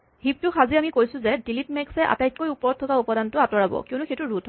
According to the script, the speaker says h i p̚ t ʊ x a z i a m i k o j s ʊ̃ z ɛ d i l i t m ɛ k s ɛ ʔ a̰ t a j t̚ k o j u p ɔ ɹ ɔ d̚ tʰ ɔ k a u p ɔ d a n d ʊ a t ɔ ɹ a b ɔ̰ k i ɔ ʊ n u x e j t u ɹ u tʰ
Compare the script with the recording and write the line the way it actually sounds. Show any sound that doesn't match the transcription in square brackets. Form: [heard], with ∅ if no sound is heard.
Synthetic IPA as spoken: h i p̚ t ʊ x a z i a m i k o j s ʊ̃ z ɛ d i l i t m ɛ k s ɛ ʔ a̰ t a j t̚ k o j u p ɔ ɹ ɔ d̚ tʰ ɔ k a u p ɔ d a n [t] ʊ a t ɔ ɹ a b ɔ̰ k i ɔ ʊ n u x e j t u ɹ u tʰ